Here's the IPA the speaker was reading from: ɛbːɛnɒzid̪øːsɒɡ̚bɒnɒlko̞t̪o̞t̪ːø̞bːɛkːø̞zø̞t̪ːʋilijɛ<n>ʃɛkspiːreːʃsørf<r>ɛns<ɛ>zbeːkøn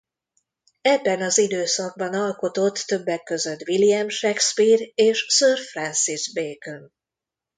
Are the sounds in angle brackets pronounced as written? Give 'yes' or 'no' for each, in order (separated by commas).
no, yes, no